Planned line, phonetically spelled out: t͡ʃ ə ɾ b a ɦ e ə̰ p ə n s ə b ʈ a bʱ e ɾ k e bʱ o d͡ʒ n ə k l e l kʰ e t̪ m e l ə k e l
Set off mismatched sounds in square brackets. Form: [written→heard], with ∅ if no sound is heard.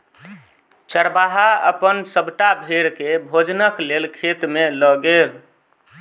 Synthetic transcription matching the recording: t͡ʃ ə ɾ b a ɦ [e→a] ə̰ p ə n s ə b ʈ a bʱ e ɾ k e bʱ o d͡ʒ n ə k l e l kʰ e t̪ m e l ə [k→ɡ] e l